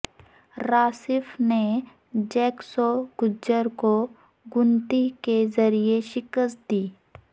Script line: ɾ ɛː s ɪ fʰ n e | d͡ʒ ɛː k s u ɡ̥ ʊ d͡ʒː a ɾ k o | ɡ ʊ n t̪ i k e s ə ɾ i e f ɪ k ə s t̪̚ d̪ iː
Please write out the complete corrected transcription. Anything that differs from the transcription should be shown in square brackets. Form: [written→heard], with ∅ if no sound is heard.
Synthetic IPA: ɾ [ɛː→aː] s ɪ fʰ n e | d͡ʒ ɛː k s [u→o] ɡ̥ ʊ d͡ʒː [a→ə] ɾ k o | ɡ ʊ n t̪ i k e [s→z] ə ɾ i e [f→ʃ] ɪ k ə s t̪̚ d̪ iː